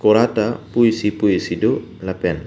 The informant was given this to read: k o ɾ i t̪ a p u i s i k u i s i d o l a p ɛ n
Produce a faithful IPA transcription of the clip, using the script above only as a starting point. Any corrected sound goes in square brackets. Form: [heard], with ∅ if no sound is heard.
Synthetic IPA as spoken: k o ɾ [a] t̪ a p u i s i [p] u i s i d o l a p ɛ n